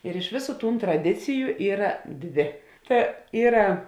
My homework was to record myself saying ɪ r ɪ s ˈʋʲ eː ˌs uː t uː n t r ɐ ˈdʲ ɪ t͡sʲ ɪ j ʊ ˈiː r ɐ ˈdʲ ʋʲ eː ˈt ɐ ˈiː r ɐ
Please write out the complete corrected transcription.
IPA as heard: ɪ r ɪ ʃ ˈʋʲ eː ˌs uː t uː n t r ɐ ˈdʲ ɪ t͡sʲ ɪ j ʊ ˈiː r ɐ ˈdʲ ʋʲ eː ˈt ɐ ˈiː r ɐ